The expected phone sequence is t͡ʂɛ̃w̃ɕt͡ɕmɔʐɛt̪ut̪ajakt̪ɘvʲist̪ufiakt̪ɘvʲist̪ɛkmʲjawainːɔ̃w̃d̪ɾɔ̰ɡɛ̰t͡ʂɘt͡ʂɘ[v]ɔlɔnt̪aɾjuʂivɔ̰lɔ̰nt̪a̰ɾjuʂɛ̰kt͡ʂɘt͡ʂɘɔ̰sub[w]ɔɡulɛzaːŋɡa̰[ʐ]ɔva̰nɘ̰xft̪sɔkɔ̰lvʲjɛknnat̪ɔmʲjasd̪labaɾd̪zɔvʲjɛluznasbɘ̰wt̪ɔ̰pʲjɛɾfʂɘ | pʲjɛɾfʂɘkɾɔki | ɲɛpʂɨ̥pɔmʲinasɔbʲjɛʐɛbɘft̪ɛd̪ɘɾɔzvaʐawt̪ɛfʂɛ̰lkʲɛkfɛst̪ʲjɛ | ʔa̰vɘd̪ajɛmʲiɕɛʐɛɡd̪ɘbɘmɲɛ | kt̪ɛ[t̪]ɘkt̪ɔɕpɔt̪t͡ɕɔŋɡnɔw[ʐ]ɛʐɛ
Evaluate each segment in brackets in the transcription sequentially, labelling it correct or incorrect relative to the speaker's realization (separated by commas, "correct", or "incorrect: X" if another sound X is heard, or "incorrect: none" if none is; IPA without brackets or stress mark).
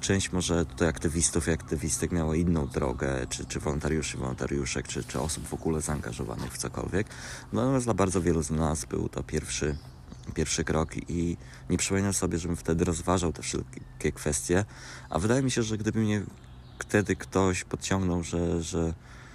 correct, incorrect: v, correct, incorrect: d̪, correct